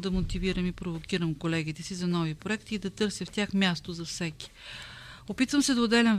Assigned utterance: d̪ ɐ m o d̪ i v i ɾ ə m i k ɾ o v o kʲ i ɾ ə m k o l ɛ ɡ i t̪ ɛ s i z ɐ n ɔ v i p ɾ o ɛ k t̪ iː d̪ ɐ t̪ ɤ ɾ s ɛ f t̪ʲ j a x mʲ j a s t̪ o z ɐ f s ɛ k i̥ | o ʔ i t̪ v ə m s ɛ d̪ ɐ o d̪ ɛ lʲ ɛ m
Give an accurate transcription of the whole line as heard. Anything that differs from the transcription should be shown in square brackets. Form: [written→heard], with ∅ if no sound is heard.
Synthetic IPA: d̪ ɐ m o [d̪→t̪] i v i ɾ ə m i [k→p] ɾ o v o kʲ i ɾ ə m k o l ɛ ɡ i t̪ ɛ s i z ɐ n ɔ v i p ɾ o ɛ k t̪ iː d̪ ɐ t̪ ɤ ɾ s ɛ f t̪ʲ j a x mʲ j a s t̪ o z ɐ f s ɛ k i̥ | o [ʔ→p] i t̪ v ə m s ɛ d̪ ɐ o d̪ ɛ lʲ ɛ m